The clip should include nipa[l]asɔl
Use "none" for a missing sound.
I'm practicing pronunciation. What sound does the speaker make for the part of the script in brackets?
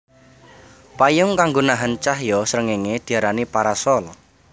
ɾ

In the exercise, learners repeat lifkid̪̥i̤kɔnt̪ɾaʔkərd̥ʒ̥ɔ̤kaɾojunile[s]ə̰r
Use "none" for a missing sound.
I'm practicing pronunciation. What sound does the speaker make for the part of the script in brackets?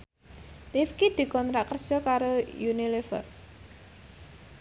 f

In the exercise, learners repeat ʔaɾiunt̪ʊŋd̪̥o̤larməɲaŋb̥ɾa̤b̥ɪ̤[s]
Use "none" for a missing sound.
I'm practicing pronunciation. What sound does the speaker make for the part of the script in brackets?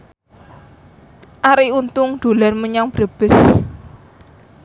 s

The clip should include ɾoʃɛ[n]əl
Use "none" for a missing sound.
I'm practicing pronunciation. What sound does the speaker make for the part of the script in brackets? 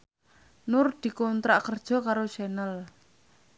n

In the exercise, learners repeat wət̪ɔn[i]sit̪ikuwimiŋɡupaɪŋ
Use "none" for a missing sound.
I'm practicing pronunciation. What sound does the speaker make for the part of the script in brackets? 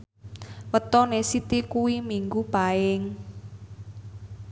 e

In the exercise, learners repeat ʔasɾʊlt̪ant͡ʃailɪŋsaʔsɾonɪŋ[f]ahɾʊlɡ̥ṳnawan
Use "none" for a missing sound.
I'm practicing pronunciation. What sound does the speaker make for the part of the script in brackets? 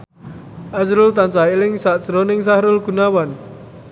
s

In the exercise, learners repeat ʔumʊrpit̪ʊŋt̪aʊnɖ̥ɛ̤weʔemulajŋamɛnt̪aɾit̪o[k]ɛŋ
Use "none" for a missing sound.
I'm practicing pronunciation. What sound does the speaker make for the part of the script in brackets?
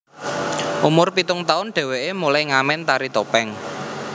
p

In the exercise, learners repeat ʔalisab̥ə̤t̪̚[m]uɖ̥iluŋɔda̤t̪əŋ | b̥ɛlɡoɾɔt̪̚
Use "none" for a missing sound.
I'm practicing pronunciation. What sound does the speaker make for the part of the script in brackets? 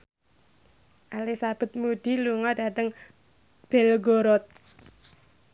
m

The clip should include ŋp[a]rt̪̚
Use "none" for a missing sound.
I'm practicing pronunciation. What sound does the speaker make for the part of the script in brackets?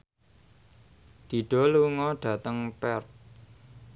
ɛ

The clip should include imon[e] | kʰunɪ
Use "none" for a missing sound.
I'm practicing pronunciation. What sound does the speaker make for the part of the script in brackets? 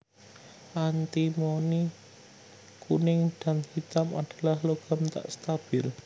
i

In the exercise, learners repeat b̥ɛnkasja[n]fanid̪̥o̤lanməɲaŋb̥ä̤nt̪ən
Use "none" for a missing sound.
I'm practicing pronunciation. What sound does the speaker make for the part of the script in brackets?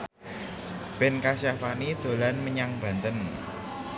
none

